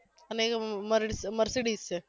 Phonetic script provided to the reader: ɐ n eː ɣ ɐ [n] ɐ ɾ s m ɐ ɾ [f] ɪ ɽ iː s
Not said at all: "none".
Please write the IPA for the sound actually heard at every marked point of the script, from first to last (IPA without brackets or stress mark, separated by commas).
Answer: m, s